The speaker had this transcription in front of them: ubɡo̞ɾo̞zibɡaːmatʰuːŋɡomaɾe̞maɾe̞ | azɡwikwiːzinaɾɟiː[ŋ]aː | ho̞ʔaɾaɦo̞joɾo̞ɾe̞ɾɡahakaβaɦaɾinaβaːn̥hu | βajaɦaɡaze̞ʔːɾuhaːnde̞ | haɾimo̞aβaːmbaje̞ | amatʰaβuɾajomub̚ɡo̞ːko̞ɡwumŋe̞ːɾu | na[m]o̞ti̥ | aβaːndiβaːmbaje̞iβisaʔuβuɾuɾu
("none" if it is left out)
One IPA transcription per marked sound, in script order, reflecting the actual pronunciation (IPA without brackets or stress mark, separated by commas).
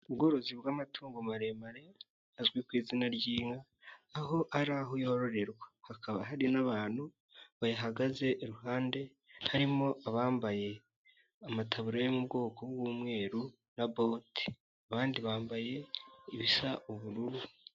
ŋ, b